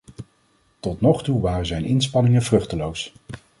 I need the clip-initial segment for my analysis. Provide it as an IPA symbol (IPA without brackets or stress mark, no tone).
t